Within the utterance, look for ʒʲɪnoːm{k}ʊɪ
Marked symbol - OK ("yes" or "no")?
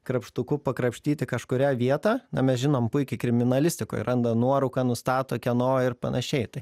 no